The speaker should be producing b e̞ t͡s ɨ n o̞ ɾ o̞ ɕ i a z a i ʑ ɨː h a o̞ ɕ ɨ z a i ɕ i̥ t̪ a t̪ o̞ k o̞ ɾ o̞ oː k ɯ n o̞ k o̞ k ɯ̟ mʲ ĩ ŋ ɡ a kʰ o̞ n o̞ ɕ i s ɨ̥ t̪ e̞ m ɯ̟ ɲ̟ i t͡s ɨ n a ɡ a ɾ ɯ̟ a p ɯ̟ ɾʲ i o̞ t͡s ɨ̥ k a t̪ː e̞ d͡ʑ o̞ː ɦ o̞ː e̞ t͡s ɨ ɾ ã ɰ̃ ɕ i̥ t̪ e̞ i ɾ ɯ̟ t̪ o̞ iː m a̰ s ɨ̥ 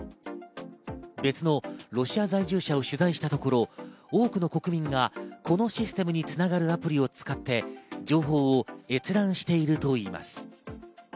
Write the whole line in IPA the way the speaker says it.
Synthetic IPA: b e̞ t͡s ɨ n o̞ ɾ o̞ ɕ i a z a i ʑ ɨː ɕ a o̞ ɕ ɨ z a i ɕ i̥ t̪ a t̪ o̞ k o̞ ɾ o̞ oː k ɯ n o̞ k o̞ k ɯ̟ mʲ ĩ ŋ ɡ a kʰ o̞ n o̞ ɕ i s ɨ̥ t̪ e̞ m ɯ̟ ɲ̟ i t͡s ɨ n a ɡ a ɾ ɯ̟ a p ɯ̟ ɾʲ i o̞ t͡s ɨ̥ k a t̪ː e̞ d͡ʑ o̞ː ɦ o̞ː e̞ t͡s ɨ ɾ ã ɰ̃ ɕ i̥ t̪ e̞ i ɾ ɯ̟ t̪ o̞ iː m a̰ s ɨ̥